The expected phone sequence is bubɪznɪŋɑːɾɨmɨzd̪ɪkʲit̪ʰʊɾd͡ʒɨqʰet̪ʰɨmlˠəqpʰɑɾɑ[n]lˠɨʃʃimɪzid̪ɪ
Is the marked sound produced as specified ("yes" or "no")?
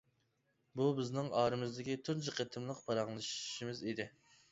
no